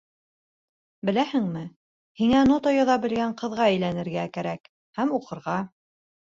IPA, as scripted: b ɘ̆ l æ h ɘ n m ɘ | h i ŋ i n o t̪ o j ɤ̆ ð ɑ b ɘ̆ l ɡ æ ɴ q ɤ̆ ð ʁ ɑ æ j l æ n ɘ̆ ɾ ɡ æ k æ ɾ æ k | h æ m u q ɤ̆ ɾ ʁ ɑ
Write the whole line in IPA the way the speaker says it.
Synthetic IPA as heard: b ɘ̆ l æ h ɘ ŋ m ɘ | h i ŋ æ n o t̪ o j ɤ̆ ð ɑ b ɘ̆ l ɡ æ ɴ q ɤ̆ ð ʁ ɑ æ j l æ n ɘ̆ ɾ ɡ æ k æ ɾ æ k | h æ m u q ɤ̆ ɾ ʁ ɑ